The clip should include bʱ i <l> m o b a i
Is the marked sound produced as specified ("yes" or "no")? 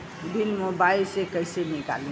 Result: yes